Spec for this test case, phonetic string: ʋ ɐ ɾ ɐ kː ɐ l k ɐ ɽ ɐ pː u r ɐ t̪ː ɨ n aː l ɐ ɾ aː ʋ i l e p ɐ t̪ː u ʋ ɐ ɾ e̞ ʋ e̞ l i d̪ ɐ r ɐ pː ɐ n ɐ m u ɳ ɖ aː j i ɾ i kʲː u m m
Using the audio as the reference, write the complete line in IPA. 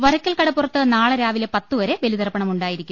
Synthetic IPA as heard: ʋ ɐ ɾ ɐ kː ɐ l k ɐ ɽ ɐ pː u r ɐ t̪ː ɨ n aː ɭ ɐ ɾ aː ʋ i l e p ɐ t̪ː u ʋ ɐ ɾ e̞ ʋ e̞ l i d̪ ɐ r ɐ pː ɐ ɳ ɐ m u ɳ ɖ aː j i ɾ i kʲː u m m

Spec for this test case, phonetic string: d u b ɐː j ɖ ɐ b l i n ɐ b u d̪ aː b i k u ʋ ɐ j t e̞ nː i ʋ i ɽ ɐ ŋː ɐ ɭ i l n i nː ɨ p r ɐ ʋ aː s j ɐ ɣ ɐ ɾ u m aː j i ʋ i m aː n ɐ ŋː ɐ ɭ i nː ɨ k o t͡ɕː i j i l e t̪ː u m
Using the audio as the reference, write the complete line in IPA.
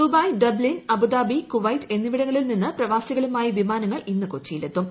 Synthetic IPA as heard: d u b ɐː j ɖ ɐ b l i n ɐ b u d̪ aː b i k u ʋ ɐ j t e̞ nː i ʋ i ɽ ɐ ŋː ɐ ɭ i l n i nː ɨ p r ɐ ʋ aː s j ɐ ɣ ɐ ɭ u m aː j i ʋ i m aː n ɐ ŋː ɐ ɭ i nː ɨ k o t͡ɕː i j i l e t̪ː u m

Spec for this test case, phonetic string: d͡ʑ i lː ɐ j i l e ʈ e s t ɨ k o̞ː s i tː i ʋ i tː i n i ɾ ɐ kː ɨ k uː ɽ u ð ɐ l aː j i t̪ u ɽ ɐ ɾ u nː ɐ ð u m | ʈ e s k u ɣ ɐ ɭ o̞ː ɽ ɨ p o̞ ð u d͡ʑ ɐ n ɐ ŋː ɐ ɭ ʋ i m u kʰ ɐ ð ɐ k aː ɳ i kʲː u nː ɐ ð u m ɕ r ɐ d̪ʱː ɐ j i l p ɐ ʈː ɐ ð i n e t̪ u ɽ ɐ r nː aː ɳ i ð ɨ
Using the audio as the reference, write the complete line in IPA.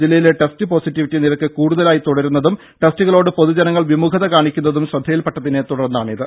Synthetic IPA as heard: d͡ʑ i lː ɐ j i l e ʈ e s t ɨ p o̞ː s i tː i ʋ i tː i n i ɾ ɐ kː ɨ k uː ɽ u ð ɐ l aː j i t̪ u ɽ ɐ ɾ u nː ɐ ð u m | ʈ e s t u ɣ ɐ ɭ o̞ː ɽ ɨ p o̞ ð u d͡ʑ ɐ n ɐ ŋː ɐ ɭ ʋ i m u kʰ ɐ ð ɐ k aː ɳ i kʲː u nː ɐ ð u m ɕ r ɐ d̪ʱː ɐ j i l p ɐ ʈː ɐ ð i n e t̪ u ɽ ɐ r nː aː ɳ i ð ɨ

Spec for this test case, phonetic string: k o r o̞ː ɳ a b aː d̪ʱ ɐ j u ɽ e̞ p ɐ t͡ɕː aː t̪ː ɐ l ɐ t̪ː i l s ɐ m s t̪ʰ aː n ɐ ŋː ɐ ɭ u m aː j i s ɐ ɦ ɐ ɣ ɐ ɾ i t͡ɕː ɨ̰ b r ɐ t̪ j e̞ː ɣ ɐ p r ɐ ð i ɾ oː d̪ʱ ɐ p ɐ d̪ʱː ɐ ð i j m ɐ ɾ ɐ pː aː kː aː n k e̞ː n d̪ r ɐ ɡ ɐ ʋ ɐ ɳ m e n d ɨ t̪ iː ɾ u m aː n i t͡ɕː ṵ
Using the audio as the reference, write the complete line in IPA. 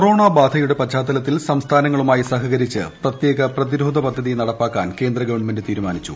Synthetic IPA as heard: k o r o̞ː ɳ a b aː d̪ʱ ɐ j u ɽ e̞ p ɐ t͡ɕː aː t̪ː ɐ l ɐ t̪ː i l s ɐ m s t̪ʰ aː n ɐ ŋː ɐ ɭ u m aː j i s ɐ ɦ ɐ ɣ ɐ ɾ i t͡ɕː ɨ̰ p r ɐ t̪ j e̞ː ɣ ɐ p r ɐ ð i ɾ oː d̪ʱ ɐ p ɐ d̪ʱː ɐ ð i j n ɐ ɽ ɐ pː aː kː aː n k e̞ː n d̪ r ɐ ɡ ɐ ʋ ɐ ɳ m e n d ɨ t̪ iː ɾ u m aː n i t͡ɕː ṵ

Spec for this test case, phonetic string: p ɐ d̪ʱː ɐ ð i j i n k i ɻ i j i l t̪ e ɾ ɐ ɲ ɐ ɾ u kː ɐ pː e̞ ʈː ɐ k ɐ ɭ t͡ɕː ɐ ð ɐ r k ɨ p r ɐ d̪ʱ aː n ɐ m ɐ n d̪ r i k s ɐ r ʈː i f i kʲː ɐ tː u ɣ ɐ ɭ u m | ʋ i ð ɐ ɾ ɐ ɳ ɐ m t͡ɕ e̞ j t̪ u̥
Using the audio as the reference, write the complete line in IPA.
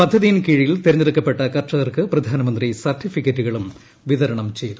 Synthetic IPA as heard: p ɐ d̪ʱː ɐ ð i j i n k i ɻ i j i l t̪ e ɾ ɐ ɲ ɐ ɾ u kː ɐ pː e̞ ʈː ɐ k ɐ r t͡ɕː ɐ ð ɐ r k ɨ p r ɐ d̪ʱ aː n ɐ m ɐ n d̪ r i s ɐ r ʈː i f i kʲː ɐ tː u ɣ ɐ ɭ u m | ʋ i ð ɐ ɾ ɐ ɳ ɐ m t͡ɕ e̞ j t̪ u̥

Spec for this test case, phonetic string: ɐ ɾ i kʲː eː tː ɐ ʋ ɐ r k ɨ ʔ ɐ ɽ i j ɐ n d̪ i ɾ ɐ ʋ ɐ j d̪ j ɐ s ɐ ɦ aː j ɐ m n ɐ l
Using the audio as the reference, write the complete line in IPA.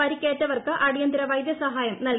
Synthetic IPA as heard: ɐ ɾ i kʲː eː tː ɐ ʋ ɐ r k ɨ ʔ ɐ ɽ i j ɐ n d̪ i ɾ ɐ ʋ ɐ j d̪ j ɐ s ɐ ɦ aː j ɐ m n ɐ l

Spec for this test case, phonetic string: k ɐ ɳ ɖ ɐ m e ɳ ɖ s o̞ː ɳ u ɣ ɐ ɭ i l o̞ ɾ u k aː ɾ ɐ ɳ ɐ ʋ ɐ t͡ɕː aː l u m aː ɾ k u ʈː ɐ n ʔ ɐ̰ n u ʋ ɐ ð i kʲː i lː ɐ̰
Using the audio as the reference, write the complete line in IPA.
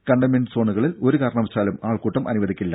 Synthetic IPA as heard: k ɐ ɳ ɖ ɐ m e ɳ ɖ s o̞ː ɳ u ɣ ɐ ɭ i l o̞ ɾ u k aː ɾ ɐ ɳ ɐ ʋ ɐ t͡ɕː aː l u m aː ɭ k uː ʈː ɐ m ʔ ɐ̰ n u ʋ ɐ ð i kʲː i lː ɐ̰

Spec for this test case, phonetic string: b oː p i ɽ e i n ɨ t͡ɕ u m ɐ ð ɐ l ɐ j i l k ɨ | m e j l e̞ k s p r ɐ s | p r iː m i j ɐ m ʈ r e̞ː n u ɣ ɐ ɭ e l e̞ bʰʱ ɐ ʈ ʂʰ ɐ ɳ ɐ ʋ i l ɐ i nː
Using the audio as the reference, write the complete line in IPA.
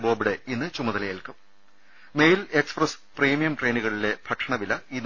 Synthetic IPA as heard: b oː b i ɽ e i nː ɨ t͡ɕ u m ɐ ð ɐ l ɐ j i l k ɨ | m e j l e̞ k s p r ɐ s | p r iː m i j ɐ m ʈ r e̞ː n u ɣ ɐ ɭ i l e̞ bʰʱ ɐ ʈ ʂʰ ɐ ɳ ɐ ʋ i l ɐ i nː

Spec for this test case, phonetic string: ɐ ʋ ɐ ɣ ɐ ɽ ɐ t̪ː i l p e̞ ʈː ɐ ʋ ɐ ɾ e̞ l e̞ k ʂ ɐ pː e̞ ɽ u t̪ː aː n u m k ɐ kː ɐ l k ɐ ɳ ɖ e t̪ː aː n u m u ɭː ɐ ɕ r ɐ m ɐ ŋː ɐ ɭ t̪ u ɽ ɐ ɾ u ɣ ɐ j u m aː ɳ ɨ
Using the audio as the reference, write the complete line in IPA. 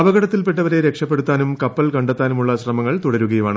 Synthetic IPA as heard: ɐ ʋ ɐ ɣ ɐ ɽ ɐ t̪ː i l p e̞ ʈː ɐ ʋ ɐ ɾ e̞ ɾ e̞ k ʂ ɐ pː e̞ ɽ u t̪ː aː n u m k ɐ pː ɐ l k ɐ ɳ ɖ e t̪ː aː n u m u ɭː ɐ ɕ r ɐ m ɐ ŋː ɐ ɭ t̪ u ɽ ɐ ɾ u ɣ ɐ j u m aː ɳ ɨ

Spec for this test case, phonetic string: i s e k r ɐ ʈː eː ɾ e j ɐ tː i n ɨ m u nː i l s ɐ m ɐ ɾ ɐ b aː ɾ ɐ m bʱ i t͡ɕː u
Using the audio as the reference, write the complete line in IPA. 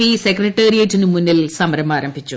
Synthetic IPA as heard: i s e k r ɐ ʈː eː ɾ i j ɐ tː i n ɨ m u nː i l s ɐ m ɐ ɾ ɐ m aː ɾ ɐ m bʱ i t͡ɕː u

